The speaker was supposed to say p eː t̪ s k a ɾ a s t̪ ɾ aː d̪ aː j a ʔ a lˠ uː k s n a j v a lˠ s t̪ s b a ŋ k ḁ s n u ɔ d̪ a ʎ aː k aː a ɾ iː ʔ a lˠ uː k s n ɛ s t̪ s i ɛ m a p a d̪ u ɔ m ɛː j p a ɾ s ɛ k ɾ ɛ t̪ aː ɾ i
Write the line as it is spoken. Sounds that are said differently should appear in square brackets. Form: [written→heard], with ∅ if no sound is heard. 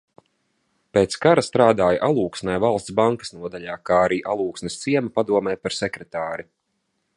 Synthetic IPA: p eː t̪ s k a ɾ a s t̪ ɾ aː d̪ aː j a ʔ a lˠ uː k s n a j v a lˠ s t̪ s b a ŋ k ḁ s n u ɔ d̪ a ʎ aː k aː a ɾ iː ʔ a lˠ uː k s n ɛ s t̪ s i ɛ m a p a d̪ u ɔ m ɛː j p a ɾ s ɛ k ɾ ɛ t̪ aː ɾ i